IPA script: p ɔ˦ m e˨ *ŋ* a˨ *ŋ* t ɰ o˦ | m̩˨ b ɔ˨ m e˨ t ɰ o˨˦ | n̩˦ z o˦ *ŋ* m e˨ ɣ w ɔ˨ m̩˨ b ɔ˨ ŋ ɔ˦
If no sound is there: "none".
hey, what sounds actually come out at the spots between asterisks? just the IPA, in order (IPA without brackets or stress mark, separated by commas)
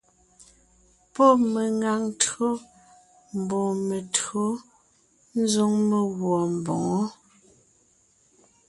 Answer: ŋ, ŋ, ŋ